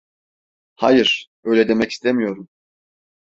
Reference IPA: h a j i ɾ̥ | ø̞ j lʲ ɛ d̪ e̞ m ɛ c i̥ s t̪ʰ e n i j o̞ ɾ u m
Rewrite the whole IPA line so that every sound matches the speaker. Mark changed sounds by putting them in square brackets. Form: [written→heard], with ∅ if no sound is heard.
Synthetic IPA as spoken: h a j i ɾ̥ | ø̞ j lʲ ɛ d̪ e̞ m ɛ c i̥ s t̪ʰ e [n→m] i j o̞ ɾ u m